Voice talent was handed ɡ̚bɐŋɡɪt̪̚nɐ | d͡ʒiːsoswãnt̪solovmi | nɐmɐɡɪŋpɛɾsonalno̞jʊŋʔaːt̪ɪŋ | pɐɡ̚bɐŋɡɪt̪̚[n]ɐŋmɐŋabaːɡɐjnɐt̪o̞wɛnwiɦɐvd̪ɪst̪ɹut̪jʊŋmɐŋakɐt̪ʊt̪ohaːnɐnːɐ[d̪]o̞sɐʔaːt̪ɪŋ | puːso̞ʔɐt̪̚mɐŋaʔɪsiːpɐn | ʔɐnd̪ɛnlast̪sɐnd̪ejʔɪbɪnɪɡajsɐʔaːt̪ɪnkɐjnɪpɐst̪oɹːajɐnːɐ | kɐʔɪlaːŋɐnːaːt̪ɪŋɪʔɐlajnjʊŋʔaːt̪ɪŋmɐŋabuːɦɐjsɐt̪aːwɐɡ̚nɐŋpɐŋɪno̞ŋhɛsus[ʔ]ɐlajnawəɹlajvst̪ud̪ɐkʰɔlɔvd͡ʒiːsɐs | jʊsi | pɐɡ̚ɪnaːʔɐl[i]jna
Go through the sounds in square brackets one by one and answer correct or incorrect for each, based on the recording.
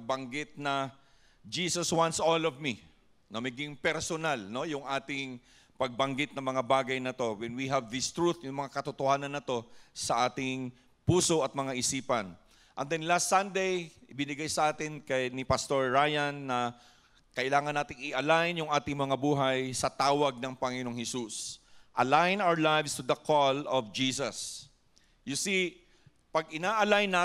correct, incorrect: t̪, correct, incorrect: a

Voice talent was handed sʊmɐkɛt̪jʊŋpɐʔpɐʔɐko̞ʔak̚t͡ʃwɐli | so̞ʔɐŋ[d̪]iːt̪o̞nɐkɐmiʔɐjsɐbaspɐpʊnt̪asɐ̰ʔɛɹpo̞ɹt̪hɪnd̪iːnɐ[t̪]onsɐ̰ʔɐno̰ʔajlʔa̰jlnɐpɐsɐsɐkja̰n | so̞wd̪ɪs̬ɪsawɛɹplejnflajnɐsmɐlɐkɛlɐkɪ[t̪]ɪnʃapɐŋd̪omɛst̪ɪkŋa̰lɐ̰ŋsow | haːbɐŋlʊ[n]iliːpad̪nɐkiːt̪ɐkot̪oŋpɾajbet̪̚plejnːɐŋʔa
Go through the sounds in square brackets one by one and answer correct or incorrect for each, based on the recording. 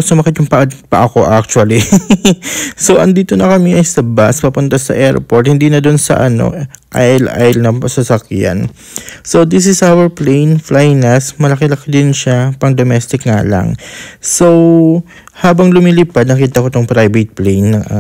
correct, incorrect: d̪, incorrect: d̪, incorrect: m

